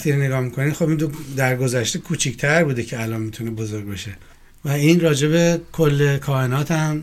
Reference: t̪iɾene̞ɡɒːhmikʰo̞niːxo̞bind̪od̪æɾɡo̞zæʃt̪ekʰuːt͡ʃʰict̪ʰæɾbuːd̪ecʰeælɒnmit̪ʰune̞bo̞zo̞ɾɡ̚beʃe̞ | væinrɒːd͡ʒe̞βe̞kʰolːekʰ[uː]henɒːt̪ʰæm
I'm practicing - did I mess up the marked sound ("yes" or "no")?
yes